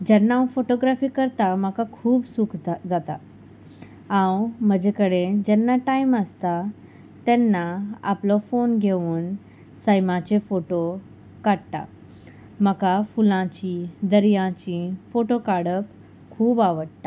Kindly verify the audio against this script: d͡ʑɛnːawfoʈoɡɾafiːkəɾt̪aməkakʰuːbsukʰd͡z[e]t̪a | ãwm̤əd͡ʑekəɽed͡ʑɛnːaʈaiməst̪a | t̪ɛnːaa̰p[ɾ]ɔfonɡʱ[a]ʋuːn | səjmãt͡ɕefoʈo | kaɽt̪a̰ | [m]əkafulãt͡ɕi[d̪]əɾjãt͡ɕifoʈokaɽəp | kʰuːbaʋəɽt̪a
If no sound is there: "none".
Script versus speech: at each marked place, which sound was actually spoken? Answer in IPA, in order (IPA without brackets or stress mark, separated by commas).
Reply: a, l, e, m, d̪